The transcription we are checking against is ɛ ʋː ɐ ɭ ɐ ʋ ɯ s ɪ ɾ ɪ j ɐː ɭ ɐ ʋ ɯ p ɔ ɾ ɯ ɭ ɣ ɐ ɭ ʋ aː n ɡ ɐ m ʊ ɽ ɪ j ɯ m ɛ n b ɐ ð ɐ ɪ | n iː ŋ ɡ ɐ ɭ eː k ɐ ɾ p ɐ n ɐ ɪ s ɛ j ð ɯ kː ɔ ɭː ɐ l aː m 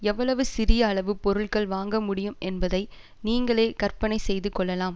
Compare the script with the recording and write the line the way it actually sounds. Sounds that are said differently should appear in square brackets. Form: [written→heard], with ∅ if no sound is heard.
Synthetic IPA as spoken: ɛ ʋː ɐ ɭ ɐ ʋ ɯ s ɪ ɾ ɪ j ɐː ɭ ɐ ʋ ɯ p ɔ ɾ ɯ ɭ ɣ ɐ ɭ ʋ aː [n→ŋ] ɡ ɐ m ʊ ɽ ɪ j ɯ m ɛ n b ɐ ð ɐ ɪ | n iː ŋ ɡ ɐ ɭ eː k ɐ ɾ p ɐ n ɐ ɪ s ɛ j ð ɯ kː ɔ ɭː ɐ l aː m